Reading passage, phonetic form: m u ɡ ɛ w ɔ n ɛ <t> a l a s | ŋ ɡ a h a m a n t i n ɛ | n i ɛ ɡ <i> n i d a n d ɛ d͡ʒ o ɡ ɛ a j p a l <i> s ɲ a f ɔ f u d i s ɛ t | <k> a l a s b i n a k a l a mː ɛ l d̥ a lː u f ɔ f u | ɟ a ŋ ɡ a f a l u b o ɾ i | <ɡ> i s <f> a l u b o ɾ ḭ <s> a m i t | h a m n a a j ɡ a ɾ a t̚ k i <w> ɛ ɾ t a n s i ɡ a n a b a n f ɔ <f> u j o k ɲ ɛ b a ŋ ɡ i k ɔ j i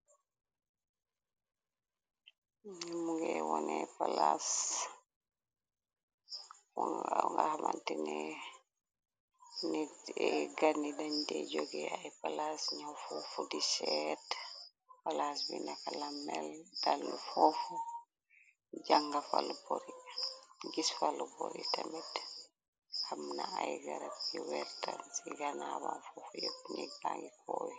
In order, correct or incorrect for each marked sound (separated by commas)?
incorrect, incorrect, incorrect, incorrect, correct, correct, incorrect, correct, correct